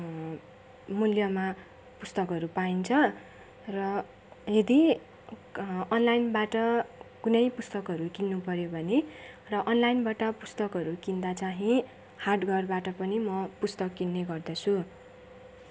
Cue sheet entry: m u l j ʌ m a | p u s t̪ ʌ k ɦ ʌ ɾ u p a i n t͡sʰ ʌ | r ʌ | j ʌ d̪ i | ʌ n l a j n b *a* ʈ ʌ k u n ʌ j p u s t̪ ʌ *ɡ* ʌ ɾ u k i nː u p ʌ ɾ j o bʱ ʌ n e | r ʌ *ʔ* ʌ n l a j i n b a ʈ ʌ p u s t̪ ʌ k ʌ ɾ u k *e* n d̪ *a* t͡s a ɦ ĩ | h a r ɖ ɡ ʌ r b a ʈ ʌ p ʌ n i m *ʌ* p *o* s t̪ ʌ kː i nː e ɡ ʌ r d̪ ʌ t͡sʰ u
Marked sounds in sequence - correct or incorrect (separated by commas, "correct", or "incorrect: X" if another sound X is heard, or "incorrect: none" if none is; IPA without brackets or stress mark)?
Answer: correct, incorrect: k, correct, incorrect: i, correct, correct, incorrect: u